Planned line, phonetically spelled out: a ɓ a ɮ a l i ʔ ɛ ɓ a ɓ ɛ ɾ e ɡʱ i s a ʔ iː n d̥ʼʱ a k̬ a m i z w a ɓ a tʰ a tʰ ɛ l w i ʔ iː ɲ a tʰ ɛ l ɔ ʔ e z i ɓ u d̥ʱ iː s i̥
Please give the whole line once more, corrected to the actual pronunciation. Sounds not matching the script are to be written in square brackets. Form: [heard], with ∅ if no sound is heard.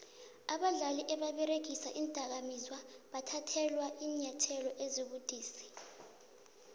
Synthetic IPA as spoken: a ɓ a ɮ a l i ʔ ɛ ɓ a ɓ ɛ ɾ e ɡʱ i s a ʔ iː n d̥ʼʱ a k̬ a m i z w a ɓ a tʰ a tʰ ɛ l w [a] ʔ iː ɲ a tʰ ɛ l ɔ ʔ e z i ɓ u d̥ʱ iː s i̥